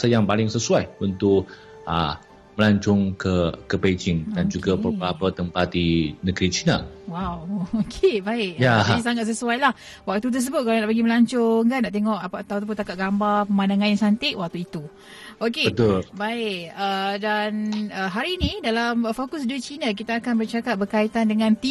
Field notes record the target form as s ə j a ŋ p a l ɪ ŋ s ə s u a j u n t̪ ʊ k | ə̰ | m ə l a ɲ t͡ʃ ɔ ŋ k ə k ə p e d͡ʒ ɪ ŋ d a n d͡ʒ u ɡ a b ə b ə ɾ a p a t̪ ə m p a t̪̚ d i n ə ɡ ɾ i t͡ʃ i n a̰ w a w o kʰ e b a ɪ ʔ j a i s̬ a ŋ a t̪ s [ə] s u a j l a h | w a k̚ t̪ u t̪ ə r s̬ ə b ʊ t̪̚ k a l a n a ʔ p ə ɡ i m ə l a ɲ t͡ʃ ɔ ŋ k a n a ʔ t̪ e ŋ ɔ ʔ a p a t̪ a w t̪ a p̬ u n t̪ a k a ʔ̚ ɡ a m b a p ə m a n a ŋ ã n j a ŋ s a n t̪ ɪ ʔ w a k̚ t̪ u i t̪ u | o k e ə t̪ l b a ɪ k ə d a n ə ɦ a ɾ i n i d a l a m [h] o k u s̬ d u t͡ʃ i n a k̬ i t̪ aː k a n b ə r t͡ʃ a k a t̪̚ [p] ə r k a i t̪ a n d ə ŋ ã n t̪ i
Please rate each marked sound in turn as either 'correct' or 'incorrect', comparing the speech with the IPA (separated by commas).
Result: correct, incorrect, incorrect